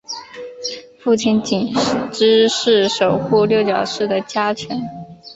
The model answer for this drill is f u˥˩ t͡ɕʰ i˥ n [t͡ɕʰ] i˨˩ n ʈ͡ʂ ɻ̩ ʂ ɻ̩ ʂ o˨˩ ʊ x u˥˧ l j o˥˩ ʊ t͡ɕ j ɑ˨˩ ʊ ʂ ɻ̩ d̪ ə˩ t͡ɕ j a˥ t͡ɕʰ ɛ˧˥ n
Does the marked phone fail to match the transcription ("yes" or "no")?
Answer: yes